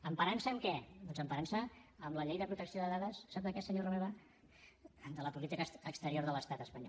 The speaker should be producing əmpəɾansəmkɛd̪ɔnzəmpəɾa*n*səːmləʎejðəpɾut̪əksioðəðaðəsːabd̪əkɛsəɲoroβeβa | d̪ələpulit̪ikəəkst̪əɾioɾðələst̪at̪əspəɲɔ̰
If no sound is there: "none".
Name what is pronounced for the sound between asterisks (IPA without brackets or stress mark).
n